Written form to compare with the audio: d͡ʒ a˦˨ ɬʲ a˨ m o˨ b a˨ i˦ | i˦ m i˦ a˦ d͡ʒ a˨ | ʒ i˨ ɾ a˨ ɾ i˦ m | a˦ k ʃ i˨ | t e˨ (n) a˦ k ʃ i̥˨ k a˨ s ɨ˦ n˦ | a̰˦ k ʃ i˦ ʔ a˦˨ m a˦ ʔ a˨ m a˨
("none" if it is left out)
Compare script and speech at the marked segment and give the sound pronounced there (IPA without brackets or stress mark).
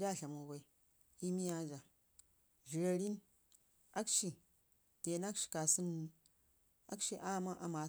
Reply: n